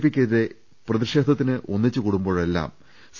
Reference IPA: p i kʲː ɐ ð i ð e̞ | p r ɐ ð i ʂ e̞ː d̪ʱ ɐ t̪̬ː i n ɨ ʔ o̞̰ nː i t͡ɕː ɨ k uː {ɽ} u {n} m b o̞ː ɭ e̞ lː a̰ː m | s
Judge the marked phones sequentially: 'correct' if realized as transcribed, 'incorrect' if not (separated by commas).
correct, incorrect